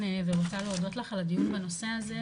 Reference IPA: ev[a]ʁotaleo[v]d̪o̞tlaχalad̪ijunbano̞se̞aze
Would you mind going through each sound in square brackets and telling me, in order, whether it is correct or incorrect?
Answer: incorrect, incorrect

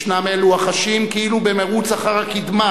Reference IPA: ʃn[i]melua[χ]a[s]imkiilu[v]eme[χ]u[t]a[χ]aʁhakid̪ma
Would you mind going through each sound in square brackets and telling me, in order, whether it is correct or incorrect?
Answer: incorrect, correct, incorrect, incorrect, incorrect, incorrect, correct

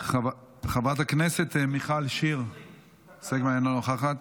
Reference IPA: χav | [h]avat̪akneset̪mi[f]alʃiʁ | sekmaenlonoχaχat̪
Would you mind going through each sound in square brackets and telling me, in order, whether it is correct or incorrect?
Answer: incorrect, incorrect

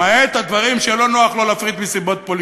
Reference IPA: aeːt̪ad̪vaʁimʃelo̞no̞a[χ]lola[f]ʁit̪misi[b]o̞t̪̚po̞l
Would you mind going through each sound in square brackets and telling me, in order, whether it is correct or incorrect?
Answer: correct, correct, correct

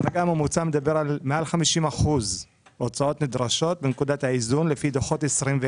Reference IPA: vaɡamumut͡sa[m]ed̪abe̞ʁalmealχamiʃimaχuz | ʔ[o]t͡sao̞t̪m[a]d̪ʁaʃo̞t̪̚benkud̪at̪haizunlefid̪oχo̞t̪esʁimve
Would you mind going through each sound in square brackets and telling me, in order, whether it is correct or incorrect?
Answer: correct, correct, incorrect

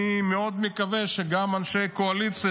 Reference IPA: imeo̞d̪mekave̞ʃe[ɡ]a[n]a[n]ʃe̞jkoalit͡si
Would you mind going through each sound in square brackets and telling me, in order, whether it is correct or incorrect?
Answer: correct, incorrect, correct

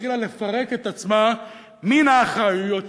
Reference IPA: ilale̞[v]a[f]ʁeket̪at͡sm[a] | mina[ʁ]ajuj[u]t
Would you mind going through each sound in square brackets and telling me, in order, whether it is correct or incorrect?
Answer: incorrect, incorrect, correct, incorrect, incorrect

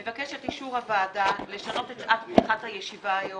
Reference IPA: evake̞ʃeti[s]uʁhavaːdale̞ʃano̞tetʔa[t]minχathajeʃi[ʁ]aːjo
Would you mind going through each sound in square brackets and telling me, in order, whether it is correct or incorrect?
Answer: incorrect, correct, incorrect

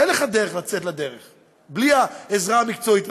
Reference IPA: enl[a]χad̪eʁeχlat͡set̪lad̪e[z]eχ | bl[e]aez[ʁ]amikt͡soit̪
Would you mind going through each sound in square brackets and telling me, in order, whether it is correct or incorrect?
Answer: incorrect, incorrect, incorrect, correct

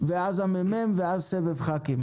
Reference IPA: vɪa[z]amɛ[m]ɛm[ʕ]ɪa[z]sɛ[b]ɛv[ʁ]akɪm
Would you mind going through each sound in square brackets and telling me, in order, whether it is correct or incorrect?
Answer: correct, correct, incorrect, correct, incorrect, incorrect

